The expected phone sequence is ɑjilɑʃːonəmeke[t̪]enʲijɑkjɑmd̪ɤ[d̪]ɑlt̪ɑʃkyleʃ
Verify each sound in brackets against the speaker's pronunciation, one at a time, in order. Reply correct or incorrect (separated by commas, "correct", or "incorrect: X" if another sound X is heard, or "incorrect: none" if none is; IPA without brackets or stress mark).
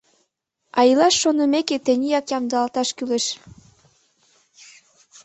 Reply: correct, incorrect: none